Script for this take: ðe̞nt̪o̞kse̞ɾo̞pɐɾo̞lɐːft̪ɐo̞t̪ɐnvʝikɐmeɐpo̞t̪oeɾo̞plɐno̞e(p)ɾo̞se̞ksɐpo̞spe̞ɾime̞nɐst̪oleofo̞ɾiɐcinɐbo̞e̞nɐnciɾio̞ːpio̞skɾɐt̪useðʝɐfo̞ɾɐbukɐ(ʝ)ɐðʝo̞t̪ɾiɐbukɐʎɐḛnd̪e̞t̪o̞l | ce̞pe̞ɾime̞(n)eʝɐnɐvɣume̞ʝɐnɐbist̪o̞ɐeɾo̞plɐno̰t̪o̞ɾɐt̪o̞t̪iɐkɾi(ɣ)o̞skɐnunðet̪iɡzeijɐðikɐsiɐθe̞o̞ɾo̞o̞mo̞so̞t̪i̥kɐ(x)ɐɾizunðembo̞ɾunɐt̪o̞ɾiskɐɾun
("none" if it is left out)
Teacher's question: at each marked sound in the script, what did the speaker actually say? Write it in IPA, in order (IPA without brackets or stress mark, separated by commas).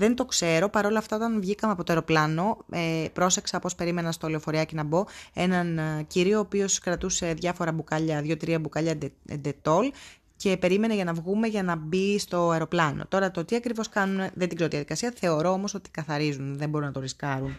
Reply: p, ʎ, n, v, θ